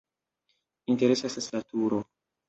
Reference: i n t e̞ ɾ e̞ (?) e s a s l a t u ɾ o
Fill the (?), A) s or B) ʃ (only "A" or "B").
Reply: A